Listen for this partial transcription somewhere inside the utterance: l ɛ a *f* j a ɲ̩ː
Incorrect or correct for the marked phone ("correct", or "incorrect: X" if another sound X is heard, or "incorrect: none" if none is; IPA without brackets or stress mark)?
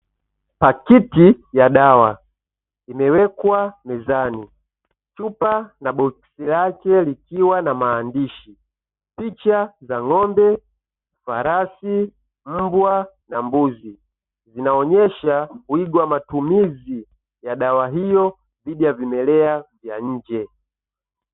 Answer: incorrect: v